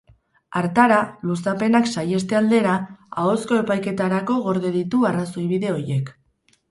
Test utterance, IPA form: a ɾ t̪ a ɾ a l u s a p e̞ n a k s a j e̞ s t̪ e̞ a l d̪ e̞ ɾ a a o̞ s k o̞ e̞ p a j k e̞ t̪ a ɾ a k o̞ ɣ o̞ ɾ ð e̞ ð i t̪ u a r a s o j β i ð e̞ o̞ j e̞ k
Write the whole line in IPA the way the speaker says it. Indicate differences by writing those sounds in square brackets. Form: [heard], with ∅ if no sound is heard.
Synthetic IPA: a ɾ t̪ a ɾ a l u s a p e̞ n a k s a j e̞ s t̪ e̞ a l d̪ e̞ ɾ a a o̞ s k o̞ e̞ p a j k e̞ t̪ a ɾ a k o̞ ɣ o̞ ɾ ð e̞ ð i t̪ u a r a s o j β i ð e̞ o̞ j e̞ k